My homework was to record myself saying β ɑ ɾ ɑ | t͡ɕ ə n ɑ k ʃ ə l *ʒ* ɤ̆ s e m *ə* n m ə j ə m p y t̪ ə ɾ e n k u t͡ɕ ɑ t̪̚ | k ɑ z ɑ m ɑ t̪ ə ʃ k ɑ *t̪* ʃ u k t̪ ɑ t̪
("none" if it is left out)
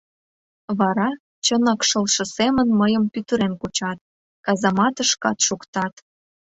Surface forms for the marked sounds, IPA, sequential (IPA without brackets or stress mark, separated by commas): ʃ, ə, t̪